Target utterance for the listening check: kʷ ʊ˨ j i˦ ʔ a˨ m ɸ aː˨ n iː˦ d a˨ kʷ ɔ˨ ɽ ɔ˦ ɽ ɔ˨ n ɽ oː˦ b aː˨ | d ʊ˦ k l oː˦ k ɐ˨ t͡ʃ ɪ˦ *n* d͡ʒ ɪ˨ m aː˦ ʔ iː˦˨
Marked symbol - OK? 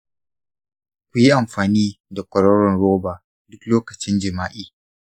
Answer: yes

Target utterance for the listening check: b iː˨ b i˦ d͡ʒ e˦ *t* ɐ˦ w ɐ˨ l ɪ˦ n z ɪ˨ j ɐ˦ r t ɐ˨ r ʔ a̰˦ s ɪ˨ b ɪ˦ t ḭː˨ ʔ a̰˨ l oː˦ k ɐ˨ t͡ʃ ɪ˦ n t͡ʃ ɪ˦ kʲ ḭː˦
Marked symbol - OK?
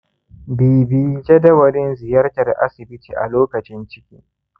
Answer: no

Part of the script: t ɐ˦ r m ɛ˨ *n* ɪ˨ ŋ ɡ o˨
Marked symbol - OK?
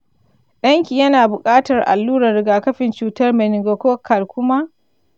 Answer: yes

